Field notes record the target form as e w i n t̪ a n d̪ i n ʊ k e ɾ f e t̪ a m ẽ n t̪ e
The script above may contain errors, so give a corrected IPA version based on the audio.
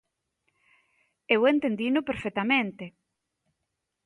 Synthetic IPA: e w e n t̪ e n d̪ i n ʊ p e ɾ f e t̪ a m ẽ n t̪ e